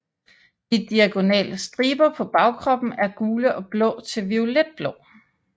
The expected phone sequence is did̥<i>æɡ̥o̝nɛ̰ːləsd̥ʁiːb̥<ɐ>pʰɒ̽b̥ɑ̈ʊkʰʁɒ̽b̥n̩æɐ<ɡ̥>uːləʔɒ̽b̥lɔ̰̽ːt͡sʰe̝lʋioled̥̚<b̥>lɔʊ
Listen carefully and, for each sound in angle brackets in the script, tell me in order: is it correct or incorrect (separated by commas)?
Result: correct, correct, correct, correct